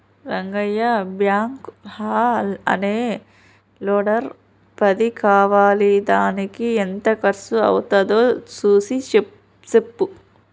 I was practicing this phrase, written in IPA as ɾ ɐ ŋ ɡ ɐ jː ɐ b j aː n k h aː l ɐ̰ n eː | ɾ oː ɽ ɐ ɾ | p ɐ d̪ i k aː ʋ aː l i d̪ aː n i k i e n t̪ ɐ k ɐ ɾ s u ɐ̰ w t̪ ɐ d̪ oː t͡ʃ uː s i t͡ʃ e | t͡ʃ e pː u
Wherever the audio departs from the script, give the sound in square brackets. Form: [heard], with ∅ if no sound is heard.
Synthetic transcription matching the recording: ɾ ɐ ŋ ɡ ɐ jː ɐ b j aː [ŋ] k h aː l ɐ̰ n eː | [l] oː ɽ ɐ ɾ | p ɐ d̪ i k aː ʋ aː l i d̪ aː n i k i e n t̪ ɐ k ɐ ɾ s u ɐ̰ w t̪ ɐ d̪ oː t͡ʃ uː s i t͡ʃ e | t͡ʃ e pː u